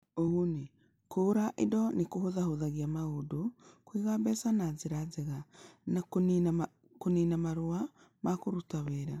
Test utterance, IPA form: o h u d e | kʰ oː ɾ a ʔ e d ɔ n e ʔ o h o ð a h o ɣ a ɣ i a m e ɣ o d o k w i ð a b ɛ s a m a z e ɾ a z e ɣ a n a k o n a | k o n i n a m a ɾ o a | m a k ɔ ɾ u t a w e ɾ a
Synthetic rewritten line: o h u n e | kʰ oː ɾ a ʔ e d ɔ n e k o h o ð a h o ð a ɣ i a m a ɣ o d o k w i ɣ a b ɛ s a n a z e ɾ a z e ɣ a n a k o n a | k o n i n a m a ɾ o a | m a k o ɾ u t a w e ɾ a

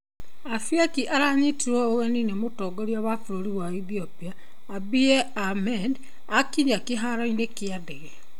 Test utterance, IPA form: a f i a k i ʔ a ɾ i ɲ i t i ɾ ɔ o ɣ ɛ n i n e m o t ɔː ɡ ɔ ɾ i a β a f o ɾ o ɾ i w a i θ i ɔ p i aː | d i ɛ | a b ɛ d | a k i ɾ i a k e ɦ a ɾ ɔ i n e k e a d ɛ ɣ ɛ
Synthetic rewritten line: a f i a k i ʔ a ɾ a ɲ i t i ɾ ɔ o ɣ ɛ n i n e m o t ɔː ɡ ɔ ɾ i a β a f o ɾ o ɾ i w a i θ i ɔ p i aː | b i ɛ | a m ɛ d | a k i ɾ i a k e ɦ a ɾ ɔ i n e k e a d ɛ ɣ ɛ

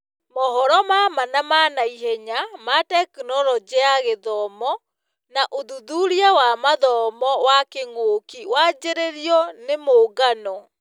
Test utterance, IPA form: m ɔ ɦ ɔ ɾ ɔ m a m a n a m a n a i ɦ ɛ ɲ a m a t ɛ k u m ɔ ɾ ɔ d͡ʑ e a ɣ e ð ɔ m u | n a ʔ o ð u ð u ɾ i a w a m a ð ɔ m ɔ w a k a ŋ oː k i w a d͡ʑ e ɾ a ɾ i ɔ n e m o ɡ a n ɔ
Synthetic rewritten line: m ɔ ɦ ɔ ɾ ɔ m a m a n a m a n a i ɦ ɛ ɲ a m a t ɛ k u n ɔ ɾ ɔ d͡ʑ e a ɣ e ð ɔ m ɔ | n a ʔ o ð u ð u ɾ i a w a m a ð ɔ m ɔ w a k e ŋ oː k i w a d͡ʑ e ɾ e ɾ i ɔ n e m o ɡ a n ɔ

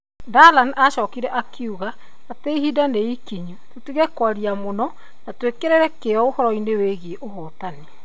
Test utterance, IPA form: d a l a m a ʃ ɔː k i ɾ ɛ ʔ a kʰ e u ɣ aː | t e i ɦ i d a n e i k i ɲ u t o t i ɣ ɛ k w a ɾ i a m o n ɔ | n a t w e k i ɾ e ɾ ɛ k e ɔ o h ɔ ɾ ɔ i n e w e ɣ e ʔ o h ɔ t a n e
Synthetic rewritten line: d a l a n a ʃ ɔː k i ɾ ɛ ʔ a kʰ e u ɣ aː | t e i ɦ i d a n e i k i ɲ u t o t i ɣ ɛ k w a ɾ i a m o n ɔ | n a t w e k e ɾ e ɾ ɛ k e ɔ o h ɔ ɾ ɔ i n e w e ɣ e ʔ o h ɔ t a n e

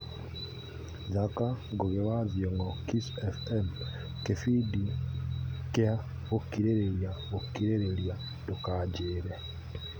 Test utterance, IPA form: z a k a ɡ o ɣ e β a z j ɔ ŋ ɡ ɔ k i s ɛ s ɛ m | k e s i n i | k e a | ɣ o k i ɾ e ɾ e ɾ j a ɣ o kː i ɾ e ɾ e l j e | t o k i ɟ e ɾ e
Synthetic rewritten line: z a k a ɡ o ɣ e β a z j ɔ ŋ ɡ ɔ k i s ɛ f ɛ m | k e f i d i | k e a | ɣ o k i ɾ e ɾ e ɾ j a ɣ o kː i ɾ e ɾ e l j a | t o k a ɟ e ɾ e

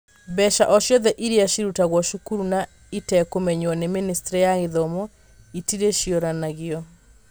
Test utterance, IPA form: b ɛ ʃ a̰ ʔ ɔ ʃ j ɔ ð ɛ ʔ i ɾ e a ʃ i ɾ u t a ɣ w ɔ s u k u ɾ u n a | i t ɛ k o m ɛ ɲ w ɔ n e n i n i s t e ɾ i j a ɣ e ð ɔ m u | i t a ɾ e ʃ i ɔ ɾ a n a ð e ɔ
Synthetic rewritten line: b ɛ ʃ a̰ ʔ ɔ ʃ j ɔ ð ɛ ʔ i ɾ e a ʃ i ɾ u t a ɣ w ɔ ʃ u k u ɾ u n a | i t ɛ k o m ɛ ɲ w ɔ n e m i n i s t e ɾ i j a ɣ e ð ɔ m ɔ | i t i ɾ e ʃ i ɔ ɾ a n a ɣ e ɔ

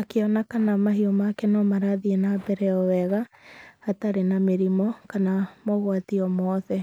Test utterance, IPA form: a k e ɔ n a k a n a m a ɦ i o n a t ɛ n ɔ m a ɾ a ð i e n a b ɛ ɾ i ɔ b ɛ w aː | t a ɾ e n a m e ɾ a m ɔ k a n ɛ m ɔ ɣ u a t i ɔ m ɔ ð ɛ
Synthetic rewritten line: a k e ɔ n a k a n a m a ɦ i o m a k ɛ n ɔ m a ɾ a ð i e n a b ɛ ɾ ɛ ɔ w ɛ ɣ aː | t a ɾ e n a m e ɾ i m ɔ k a n a m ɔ ɣ w a t i ɔ m ɔ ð ɛ

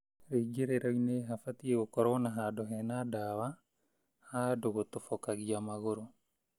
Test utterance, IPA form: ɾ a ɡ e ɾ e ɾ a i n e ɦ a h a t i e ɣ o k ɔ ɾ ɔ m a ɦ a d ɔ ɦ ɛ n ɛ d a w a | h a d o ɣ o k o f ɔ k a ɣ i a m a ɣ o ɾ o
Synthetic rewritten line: ɾ e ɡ e ɾ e ɾ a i n e ɦ a f a t i e ɣ o k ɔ ɾ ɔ n a ɦ a d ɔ ɦ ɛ n a d a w a | h a d o ɣ o t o f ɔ k a ɣ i a m a ɣ o ɾ o

